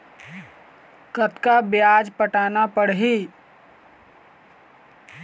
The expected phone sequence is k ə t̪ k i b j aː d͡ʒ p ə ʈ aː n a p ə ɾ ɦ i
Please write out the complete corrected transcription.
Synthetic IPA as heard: k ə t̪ k a b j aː d͡ʒ p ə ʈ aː n a p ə ɽ ɦ i